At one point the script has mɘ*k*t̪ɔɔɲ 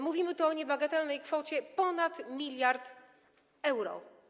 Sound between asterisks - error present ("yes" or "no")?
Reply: yes